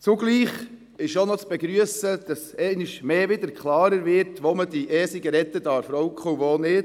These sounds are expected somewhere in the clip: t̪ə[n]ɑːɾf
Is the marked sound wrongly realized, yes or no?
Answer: yes